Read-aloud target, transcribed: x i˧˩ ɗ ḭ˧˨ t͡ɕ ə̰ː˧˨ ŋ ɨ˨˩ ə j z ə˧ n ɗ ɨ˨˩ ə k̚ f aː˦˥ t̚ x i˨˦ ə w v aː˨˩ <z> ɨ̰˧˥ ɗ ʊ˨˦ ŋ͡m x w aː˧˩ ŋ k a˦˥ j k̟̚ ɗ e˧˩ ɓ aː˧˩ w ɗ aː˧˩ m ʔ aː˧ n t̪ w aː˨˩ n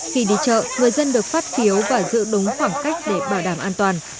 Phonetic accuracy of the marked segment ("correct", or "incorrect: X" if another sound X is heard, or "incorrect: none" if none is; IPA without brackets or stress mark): correct